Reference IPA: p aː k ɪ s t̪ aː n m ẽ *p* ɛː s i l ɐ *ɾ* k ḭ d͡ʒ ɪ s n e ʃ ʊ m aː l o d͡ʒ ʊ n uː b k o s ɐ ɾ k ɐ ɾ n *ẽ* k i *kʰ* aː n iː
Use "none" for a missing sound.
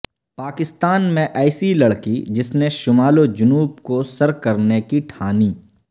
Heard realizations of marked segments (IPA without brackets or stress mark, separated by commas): ʔ, ɽ, e, ʈʰ